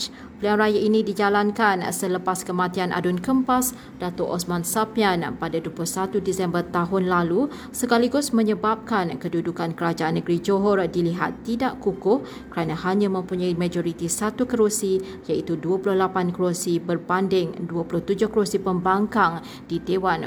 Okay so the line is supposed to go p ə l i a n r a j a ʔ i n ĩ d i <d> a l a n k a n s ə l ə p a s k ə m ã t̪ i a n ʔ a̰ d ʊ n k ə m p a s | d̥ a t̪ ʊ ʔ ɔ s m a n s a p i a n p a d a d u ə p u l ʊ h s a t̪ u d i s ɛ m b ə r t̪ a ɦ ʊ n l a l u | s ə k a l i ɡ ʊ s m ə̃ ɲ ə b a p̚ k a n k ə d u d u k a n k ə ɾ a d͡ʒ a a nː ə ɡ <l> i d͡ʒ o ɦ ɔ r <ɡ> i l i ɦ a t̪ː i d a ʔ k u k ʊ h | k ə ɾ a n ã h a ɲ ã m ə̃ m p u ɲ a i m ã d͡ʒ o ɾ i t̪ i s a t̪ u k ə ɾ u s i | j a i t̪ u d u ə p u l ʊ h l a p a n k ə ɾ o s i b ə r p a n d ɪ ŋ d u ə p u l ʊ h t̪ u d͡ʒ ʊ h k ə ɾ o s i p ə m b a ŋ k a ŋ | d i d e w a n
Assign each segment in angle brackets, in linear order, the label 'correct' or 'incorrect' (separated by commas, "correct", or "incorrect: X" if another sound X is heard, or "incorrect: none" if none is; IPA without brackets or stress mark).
incorrect: d͡ʒ, incorrect: ɾ, incorrect: d